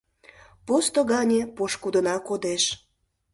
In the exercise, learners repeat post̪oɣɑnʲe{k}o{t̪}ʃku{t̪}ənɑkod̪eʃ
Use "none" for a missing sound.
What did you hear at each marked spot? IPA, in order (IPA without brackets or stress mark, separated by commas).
p, none, d̪